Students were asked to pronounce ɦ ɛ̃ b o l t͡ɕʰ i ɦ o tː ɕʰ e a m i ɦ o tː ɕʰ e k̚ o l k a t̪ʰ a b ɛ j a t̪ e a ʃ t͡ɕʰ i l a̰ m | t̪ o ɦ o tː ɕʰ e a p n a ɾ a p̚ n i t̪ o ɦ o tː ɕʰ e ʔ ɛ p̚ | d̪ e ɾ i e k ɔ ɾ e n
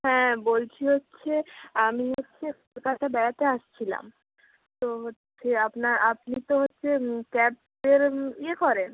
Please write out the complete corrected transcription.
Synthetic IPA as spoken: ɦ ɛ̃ b o l t͡ɕʰ i ɦ o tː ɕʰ e a m i ɦ o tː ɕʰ e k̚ o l k a t̪ʰ a b ɛ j a t̪ e a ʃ t͡ɕʰ i l a̰ m | t̪ o ɦ o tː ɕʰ e a p n a ɾ a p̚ n i t̪ o ɦ o tː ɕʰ e k ɛ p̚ | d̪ e ɾ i e k ɔ ɾ e n